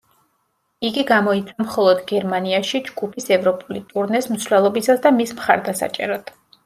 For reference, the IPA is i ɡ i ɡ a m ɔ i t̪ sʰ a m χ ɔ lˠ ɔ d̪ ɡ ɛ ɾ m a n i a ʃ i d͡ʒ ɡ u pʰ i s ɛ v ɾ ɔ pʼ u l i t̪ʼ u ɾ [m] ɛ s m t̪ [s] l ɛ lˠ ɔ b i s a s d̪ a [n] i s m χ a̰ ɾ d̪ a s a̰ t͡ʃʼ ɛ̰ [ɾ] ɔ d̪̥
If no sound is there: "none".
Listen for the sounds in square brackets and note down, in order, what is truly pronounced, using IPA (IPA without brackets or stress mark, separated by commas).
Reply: n, s, m, ɾ